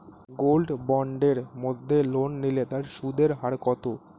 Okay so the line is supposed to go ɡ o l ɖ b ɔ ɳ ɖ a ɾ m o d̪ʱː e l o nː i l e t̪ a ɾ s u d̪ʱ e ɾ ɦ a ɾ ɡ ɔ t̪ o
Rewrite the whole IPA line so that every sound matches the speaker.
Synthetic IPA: ɡ o l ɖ b ɔ ɳ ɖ e ɾ m o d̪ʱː e l o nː i l e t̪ a ɾ ʃ u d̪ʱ e ɾ ɦ a ɾ k ɔ t̪ o